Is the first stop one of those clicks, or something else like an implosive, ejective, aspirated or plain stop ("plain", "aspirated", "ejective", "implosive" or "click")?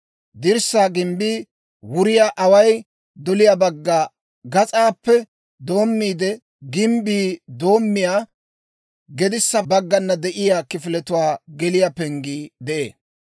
plain